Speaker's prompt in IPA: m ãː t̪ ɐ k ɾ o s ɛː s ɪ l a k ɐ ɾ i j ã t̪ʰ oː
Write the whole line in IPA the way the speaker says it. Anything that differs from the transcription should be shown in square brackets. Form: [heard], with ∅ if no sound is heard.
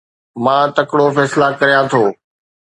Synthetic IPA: m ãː t̪ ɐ k [ɽ] o [f] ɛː s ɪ l a k ɐ ɾ i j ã t̪ʰ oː